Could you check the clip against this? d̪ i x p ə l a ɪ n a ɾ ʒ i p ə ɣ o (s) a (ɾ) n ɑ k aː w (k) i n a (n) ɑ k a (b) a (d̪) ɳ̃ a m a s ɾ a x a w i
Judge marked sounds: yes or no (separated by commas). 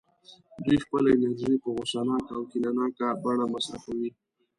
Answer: yes, no, yes, yes, yes, no